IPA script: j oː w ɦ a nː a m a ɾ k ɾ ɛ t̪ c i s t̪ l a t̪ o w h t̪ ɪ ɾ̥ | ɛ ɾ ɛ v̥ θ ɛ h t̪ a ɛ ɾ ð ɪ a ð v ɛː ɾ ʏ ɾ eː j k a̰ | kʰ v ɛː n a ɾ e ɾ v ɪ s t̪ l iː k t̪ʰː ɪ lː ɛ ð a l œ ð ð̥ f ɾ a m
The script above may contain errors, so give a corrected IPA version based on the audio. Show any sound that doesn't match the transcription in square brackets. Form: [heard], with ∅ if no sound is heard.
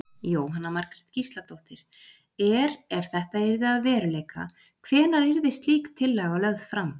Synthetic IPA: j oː w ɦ a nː a m a ɾ k ɾ ɛ t̪ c i s t̪ l a t̪ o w h t̪ ɪ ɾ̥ | ɛ ɾ ɛ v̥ θ ɛ h t̪ a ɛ ɾ ð ɪ a ð v ɛː ɾ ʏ [l] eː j k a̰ | kʰ v ɛː n a ɾ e ɾ v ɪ s t̪ l iː k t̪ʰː ɪ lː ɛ [ɣ] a l œ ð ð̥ f ɾ a m